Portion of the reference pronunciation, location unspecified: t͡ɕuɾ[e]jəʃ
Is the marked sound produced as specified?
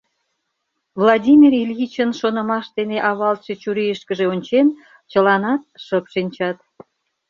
no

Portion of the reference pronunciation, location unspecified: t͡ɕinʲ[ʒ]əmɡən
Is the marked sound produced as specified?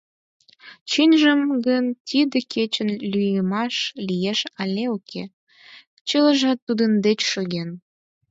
yes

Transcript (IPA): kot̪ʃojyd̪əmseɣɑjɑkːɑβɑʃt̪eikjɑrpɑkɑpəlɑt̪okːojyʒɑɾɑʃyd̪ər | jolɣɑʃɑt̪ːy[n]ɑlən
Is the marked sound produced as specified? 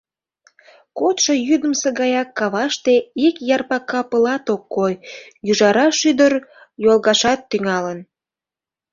no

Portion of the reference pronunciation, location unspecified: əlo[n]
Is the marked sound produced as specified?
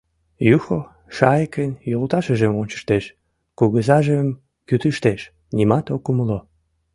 no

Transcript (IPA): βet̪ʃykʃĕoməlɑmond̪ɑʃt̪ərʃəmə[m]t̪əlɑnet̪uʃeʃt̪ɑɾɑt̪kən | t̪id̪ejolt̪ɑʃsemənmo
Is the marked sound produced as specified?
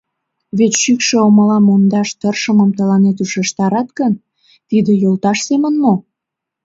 yes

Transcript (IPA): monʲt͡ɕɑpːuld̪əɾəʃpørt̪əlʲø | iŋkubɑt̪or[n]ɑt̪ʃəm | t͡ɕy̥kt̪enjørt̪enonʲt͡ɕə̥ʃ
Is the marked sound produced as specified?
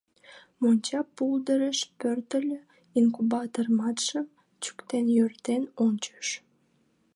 no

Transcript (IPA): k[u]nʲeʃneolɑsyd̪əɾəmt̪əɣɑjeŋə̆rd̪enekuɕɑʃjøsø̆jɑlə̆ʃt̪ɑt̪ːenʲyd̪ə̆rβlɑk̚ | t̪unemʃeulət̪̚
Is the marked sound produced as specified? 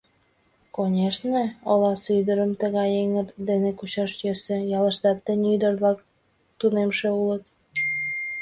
no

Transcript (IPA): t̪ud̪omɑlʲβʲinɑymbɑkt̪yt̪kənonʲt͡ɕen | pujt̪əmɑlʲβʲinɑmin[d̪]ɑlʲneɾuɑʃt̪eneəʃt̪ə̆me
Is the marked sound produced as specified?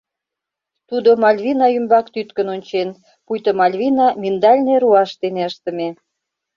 yes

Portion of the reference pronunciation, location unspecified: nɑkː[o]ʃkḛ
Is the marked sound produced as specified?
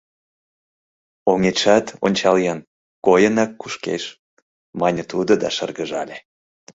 no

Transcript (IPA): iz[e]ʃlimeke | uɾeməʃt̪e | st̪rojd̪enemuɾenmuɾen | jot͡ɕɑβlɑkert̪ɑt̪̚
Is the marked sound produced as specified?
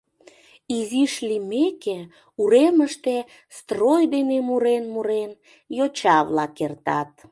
no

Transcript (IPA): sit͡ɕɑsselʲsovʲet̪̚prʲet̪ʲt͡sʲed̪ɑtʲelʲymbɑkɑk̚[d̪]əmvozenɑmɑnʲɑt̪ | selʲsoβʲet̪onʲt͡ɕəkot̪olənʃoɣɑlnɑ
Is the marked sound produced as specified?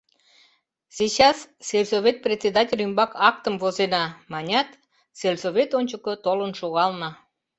no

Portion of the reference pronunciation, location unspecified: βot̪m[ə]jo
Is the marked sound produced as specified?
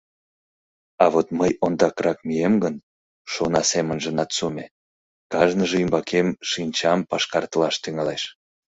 yes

